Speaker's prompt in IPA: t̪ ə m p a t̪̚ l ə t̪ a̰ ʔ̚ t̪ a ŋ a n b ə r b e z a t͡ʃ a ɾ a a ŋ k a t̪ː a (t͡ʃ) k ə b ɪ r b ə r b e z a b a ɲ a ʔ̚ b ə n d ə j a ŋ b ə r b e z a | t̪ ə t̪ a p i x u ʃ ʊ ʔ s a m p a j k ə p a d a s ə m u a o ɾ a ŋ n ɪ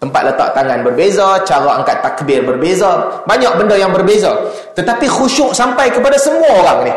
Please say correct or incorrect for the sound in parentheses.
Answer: incorrect